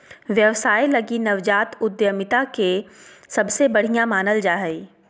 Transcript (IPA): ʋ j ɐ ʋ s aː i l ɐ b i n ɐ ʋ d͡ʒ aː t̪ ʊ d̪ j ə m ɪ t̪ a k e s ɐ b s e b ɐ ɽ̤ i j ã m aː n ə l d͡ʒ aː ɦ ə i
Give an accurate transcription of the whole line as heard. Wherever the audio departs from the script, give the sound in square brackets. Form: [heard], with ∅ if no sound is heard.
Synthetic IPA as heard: ʋ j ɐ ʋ s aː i l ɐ [ɡ] i n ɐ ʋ d͡ʒ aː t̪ ʊ d̪ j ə m ɪ t̪ a k e s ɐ b s e b ɐ ɽ̤ i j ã m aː n ə l d͡ʒ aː ɦ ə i

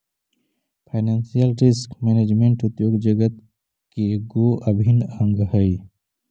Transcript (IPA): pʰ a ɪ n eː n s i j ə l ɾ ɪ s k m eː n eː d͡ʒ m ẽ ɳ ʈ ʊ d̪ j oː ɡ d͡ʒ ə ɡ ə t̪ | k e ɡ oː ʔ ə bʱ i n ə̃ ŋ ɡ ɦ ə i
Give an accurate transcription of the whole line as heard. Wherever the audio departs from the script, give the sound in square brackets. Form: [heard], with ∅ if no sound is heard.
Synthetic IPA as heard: pʰ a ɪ n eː n s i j ə l ɾ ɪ s k m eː n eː d͡ʒ m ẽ ɳ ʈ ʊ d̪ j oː ɡ d͡ʒ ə ɡ ə t̪ | k e ɡ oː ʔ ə bʱ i n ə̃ ŋ ɡ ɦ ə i

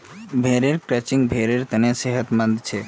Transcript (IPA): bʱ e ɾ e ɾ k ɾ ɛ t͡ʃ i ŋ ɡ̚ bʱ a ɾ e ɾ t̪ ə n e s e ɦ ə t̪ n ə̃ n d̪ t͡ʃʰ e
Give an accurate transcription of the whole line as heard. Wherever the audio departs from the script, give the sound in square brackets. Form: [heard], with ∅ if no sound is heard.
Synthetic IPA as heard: bʱ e ɾ e ɾ k ɾ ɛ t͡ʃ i ŋ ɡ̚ bʱ [e] ɾ e ɾ t̪ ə n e s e ɦ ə t̪ [m] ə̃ n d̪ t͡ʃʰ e

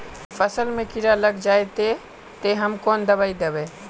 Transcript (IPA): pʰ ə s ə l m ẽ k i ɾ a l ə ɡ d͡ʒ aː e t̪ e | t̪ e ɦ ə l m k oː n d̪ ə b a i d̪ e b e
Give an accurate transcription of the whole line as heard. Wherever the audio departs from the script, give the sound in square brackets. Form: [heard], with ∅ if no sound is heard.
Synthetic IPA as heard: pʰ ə s ə l m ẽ k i ɾ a l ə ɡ d͡ʒ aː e t̪ e | t̪ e ɦ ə [∅] m k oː n d̪ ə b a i d̪ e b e

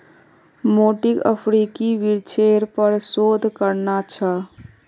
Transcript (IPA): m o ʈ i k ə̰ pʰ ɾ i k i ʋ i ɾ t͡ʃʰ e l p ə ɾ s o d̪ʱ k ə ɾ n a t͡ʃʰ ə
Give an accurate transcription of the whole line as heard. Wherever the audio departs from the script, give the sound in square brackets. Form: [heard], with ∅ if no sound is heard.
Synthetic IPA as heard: m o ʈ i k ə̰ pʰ ɾ i k i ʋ i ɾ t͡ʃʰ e [ɾ] p ə ɾ s o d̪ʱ k ə ɾ n a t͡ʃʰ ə

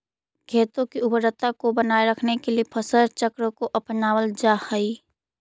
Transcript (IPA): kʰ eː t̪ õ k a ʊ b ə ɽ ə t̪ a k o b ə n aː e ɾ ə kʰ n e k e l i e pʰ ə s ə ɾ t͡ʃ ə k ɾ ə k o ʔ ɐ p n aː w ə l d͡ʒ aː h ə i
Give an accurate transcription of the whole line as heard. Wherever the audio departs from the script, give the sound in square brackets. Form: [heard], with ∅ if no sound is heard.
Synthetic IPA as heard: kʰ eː t̪ õ k [i] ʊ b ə [ɾ] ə t̪ a k o b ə n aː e ɾ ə kʰ n e k e l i e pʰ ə s ə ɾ t͡ʃ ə k ɾ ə k o ʔ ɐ p n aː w ə l d͡ʒ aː h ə i

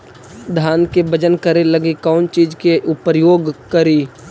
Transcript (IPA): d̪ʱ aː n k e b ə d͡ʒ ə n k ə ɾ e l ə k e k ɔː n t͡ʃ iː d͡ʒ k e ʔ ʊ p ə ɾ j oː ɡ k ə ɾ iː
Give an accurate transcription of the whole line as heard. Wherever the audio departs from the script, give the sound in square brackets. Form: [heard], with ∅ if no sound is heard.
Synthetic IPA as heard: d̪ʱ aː n k e b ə d͡ʒ ə n k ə ɾ e l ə [ɡ] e k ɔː n t͡ʃ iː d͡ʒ k e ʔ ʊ p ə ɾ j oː ɡ k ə ɾ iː

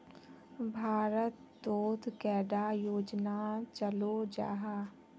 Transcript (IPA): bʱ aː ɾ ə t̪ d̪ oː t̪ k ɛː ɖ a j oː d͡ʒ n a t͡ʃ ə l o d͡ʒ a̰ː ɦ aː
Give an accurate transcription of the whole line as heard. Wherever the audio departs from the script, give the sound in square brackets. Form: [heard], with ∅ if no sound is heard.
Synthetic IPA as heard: bʱ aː ɾ ə t̪ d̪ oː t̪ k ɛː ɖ a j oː d͡ʒ n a t͡ʃ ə l o d͡ʒ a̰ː ɦ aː

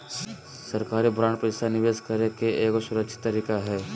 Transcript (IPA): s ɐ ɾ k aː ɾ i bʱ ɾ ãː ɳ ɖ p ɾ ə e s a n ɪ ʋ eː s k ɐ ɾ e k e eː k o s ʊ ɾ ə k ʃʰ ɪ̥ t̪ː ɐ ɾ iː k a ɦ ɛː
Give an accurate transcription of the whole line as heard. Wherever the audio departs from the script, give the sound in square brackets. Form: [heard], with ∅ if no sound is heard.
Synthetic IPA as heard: s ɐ ɾ k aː ɾ i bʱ ɾ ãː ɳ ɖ p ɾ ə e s a n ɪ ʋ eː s k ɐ ɾ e k e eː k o s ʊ ɾ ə k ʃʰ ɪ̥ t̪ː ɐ ɾ iː k a ɦ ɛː

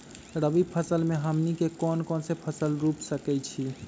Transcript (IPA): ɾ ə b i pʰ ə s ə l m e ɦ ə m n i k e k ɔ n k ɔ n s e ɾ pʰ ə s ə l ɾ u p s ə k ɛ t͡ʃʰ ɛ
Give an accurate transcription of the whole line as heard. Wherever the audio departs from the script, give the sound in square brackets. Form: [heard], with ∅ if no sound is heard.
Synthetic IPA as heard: ɾ ə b i pʰ ə s ə l m e ɦ ə m n i k e k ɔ n k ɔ n s e [∅] pʰ ə s ə l ɾ u p s ə k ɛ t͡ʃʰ [i]

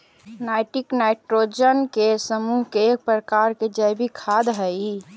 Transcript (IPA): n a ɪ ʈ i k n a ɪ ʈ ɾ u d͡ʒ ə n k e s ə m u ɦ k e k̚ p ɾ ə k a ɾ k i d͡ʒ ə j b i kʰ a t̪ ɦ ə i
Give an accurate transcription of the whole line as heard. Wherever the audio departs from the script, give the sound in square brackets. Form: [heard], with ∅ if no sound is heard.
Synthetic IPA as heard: n a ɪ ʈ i k n a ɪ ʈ ɾ [o] d͡ʒ ə n k e s ə m u ɦ k e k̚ p ɾ ə k a ɾ k [e] d͡ʒ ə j b i kʰ a [d̪] ɦ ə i

